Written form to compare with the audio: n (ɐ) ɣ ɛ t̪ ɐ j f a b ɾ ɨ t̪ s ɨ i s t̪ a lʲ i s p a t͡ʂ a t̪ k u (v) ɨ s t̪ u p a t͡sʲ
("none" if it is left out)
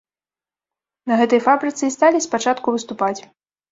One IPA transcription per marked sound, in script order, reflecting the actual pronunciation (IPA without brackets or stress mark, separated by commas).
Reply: ɐ, v